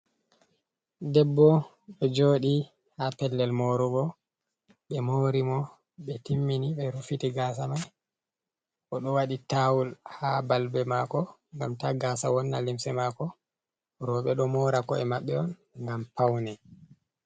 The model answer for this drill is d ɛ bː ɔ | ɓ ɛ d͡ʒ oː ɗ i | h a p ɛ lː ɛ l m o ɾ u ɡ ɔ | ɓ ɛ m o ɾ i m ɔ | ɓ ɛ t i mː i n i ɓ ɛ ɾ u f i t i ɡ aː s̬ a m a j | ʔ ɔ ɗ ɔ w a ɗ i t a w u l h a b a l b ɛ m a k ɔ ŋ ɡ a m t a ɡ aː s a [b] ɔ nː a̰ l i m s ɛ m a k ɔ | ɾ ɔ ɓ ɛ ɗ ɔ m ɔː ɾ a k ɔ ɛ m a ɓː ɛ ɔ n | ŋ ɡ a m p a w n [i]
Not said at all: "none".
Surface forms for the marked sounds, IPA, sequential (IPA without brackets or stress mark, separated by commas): w, ɛ